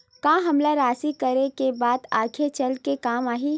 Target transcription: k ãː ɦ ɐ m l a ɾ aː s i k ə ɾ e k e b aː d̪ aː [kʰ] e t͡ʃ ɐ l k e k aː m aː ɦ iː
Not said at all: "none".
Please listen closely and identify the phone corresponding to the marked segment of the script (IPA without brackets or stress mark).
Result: kʰ